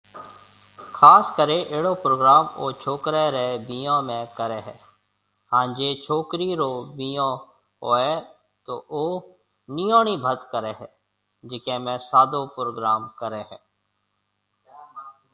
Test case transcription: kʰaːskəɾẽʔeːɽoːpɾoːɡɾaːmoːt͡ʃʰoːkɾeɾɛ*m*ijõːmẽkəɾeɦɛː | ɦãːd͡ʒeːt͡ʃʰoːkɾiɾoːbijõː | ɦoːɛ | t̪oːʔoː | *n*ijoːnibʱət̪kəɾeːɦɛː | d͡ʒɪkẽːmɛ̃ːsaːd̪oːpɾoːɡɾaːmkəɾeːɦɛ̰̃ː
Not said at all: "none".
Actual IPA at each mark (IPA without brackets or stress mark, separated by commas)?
b, n